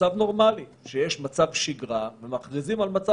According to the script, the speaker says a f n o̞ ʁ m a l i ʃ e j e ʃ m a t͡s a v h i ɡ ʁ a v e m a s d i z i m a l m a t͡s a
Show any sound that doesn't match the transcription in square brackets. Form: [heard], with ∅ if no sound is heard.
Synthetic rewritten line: a [v] n o̞ ʁ m a l i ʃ e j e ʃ m a t͡s a v [ʃ] i ɡ ʁ a v e m a [χ] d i z i m a l m a t͡s a